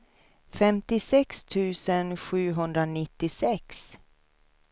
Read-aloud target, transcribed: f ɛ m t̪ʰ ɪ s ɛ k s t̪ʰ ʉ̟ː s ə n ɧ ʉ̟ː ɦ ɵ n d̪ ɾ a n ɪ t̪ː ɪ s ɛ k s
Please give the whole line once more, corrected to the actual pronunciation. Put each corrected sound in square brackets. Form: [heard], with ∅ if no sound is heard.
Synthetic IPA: f ɛ m [t̪] ɪ s ɛ k s t̪ʰ ʉ̟ː s ə n ɧ ʉ̟ː ɦ ɵ n d̪ ɾ a n ɪ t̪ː ɪ s ɛ k s